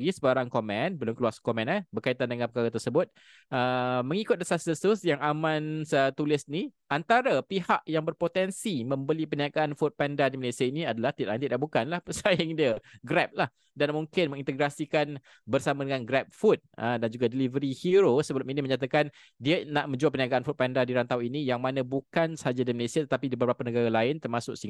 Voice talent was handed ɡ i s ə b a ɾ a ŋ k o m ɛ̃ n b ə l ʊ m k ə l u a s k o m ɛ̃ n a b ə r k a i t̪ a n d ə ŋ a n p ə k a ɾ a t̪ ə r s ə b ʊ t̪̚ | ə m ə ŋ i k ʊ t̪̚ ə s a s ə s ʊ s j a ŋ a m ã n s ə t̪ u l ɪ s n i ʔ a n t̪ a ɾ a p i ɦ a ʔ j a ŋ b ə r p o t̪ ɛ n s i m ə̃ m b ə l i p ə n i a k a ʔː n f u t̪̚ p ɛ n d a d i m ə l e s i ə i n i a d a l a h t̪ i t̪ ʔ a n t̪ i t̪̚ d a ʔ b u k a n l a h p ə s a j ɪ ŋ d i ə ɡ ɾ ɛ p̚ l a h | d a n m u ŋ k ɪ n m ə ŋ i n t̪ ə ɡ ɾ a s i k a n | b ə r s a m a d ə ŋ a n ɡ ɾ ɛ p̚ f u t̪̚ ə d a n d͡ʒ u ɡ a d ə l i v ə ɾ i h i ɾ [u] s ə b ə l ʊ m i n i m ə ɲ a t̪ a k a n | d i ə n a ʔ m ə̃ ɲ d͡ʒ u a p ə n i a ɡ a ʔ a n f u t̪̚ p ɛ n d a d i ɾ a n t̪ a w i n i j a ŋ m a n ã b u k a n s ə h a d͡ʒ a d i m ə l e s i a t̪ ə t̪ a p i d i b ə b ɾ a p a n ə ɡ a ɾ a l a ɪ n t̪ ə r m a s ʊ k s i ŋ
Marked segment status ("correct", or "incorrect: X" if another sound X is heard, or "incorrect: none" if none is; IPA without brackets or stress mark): incorrect: o